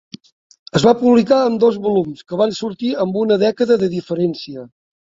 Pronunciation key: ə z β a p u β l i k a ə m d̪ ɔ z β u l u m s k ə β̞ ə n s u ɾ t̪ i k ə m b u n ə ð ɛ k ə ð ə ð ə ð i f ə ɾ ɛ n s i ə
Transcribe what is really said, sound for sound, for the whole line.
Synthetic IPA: ə z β a p u β l i k a ə m d̪ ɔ z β u l u m s k ə β̞ a n s u ɾ t̪ i ə m b u n ə ð ɛ k ə ð ə ð ə ð i f ə ɾ ɛ n s i ə